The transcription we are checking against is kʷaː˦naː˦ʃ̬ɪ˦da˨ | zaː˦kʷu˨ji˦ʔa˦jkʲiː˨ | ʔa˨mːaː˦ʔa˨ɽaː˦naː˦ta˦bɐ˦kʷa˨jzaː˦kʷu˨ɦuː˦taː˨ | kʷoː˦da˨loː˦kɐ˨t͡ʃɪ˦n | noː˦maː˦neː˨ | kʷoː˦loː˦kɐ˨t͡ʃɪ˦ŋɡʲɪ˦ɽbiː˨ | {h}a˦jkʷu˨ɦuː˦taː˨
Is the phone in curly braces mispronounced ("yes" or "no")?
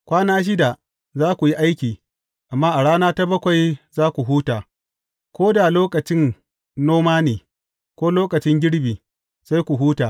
yes